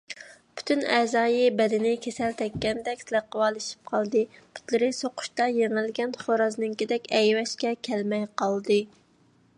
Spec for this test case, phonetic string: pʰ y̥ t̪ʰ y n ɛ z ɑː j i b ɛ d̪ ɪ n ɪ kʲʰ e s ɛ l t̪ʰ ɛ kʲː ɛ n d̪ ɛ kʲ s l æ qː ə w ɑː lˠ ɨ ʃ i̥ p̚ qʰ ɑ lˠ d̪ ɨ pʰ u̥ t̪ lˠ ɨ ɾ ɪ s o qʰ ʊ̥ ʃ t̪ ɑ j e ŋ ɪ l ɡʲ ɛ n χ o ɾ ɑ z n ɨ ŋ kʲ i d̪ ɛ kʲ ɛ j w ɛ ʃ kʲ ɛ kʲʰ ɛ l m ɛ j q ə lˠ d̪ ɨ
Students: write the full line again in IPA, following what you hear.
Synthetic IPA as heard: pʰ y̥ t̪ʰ y n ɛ z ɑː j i b ɛ d̪ ɪ n ɪ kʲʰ e s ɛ l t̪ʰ ɛ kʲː ɛ n d̪ ɛ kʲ s l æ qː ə w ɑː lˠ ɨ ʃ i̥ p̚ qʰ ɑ lˠ d̪ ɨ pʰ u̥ t̪ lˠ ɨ ɾ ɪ s o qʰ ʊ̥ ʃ t̪ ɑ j e ŋ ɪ l ɡʲ ɛ n χ o ɾ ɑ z n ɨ ŋ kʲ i d̪ ɛ kʲ ɛ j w ɛ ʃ kʲ ɛ kʲʰ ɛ l m ɛ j q ɑ lˠ d̪ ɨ

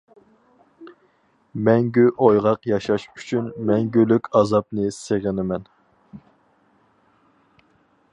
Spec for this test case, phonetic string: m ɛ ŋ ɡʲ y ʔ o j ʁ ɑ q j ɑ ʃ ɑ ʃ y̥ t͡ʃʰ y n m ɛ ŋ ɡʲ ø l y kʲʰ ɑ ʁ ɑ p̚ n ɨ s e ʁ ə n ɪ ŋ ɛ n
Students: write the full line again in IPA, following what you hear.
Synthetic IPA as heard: m ɛ ŋ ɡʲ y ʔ o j ʁ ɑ q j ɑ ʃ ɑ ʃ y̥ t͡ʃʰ y n m ɛ ŋ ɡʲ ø l y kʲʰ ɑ z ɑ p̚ n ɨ s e ʁ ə n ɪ m ɛ n

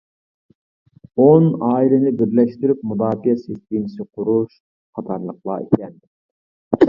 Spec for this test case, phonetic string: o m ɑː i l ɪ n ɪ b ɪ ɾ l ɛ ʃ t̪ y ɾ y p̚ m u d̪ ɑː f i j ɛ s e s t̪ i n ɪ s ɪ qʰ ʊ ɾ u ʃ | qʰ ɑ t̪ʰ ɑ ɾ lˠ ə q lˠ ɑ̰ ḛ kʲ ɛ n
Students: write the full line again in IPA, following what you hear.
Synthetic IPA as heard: o n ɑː i l ɪ n ɪ b ɪ ɾ l ɛ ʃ t̪ y ɾ y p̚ m u d̪ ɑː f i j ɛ s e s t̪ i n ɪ s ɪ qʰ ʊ ɾ u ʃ | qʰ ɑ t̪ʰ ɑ ɾ lˠ ə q lˠ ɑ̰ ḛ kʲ ɛ n

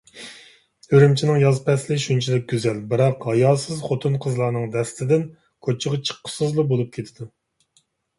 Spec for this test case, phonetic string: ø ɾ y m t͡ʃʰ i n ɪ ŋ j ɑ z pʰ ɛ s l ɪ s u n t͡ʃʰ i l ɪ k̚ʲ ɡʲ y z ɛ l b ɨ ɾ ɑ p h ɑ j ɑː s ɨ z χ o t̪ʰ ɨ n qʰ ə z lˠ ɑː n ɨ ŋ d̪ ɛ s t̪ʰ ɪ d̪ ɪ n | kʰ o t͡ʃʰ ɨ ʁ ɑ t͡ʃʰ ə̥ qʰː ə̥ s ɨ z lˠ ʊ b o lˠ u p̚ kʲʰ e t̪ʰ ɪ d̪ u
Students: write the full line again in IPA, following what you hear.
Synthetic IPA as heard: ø ɾ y m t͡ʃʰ i n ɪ ŋ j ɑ z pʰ ɛ s l ɪ ʃ u n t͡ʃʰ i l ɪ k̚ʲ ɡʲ y z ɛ l b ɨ ɾ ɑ q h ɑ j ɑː s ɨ z χ o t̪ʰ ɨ n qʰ ə z lˠ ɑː n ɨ ŋ d̪ ɛ s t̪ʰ ɪ d̪ ɪ n | kʰ o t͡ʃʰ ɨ ʁ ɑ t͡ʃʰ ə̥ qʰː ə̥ s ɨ z lˠ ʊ b o lˠ u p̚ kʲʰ e t̪ʰ ɪ d̪ u

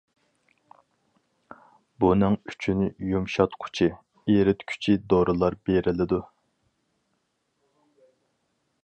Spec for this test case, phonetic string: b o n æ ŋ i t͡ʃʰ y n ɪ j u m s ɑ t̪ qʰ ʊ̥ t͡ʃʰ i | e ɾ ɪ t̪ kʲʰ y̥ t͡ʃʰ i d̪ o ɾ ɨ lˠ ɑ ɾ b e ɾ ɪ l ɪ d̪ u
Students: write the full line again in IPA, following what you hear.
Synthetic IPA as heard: b u n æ ŋ y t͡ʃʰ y n ɪ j u m ʃ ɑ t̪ qʰ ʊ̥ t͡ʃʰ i | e ɾ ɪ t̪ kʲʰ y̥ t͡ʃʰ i d̪ o ɾ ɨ lˠ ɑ ɾ b e ɾ ɪ l ɪ d̪ u

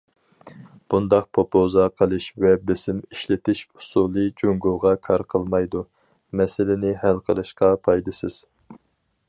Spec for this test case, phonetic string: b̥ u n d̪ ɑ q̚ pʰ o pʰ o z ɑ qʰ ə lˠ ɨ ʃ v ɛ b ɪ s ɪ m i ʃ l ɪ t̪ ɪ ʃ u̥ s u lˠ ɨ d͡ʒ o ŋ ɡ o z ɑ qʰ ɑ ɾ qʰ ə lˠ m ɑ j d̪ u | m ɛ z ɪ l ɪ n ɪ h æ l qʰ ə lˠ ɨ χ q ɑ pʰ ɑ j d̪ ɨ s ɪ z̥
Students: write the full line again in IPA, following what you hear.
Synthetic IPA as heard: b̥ u n d̪ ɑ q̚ pʰ o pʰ o z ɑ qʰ ə lˠ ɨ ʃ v ɛ b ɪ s ɪ m i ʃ l ɪ t̪ ɪ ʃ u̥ s u lˠ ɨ d͡ʒ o ŋ ɡ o ʁ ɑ kʰ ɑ ɾ qʰ ə lˠ m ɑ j d̪ u | m ɛ s ɪ l ɪ n ɪ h æ l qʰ ə lˠ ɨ ʃ q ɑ pʰ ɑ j d̪ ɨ s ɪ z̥

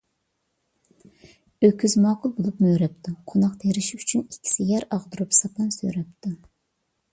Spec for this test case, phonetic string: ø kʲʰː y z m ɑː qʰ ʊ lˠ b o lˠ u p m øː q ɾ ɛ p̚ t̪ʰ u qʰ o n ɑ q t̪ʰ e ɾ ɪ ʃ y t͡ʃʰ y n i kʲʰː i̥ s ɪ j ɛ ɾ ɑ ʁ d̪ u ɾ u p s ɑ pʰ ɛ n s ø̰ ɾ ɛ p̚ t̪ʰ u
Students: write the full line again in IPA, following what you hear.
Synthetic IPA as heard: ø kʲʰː y z m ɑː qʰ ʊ lˠ b o lˠ u p m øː ɾ ɛ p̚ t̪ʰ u qʰ o n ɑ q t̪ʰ e ɾ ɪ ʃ y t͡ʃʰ y n i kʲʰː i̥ s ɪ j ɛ ɾ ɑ ʁ d̪ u ɾ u p s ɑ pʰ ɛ n s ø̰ ɾ ɛ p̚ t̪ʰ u

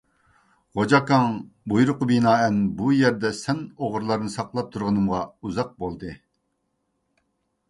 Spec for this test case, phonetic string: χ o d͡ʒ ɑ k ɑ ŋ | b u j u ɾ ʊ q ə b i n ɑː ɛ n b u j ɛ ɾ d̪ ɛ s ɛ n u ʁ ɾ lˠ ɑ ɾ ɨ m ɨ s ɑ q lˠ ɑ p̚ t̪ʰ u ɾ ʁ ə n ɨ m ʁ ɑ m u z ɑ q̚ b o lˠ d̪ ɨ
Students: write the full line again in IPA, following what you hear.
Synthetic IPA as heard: ʁ o d͡ʒ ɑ k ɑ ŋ | b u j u ɾ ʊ q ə b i n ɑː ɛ n b u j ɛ ɾ d̪ ɛ s ɛ n o ʁ ɾ lˠ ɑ ɾ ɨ n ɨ s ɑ q lˠ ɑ p̚ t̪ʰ u ɾ ʁ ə n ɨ m ʁ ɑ u z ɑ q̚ b o lˠ d̪ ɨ

